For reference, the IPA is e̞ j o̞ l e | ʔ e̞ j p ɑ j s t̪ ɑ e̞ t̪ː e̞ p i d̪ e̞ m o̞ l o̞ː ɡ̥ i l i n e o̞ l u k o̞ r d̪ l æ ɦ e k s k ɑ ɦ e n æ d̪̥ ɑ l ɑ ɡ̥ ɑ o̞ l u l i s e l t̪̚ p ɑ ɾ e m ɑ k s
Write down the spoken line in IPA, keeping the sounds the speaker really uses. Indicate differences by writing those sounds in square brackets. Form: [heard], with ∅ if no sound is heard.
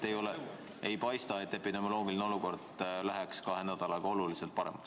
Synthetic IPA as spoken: e̞ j o̞ l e | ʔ e̞ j p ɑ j s t̪ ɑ e̞ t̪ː e̞ p i d̪ e̞ m o̞ l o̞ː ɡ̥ i l i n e o̞ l u k o̞ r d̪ l æ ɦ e k s k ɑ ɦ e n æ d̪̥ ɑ l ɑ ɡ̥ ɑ o̞ l u l i s e l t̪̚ p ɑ ɾ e m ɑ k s